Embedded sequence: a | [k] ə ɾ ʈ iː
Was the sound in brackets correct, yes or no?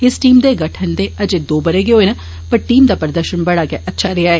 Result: no